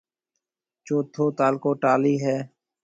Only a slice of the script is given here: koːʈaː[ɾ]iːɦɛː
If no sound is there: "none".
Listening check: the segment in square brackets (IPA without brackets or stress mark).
l